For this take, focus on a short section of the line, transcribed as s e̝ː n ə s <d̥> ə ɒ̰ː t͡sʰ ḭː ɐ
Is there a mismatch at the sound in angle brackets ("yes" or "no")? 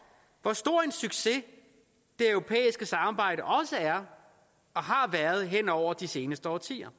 no